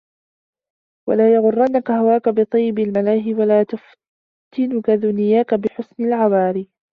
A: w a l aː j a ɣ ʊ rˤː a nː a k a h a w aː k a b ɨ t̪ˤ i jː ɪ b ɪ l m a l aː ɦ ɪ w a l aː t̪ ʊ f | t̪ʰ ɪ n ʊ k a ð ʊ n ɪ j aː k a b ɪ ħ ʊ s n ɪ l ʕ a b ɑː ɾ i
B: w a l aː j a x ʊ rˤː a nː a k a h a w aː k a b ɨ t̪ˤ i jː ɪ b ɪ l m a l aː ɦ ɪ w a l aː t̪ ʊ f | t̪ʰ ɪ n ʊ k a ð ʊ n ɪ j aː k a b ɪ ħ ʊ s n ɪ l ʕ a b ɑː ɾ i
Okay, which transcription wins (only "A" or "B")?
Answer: A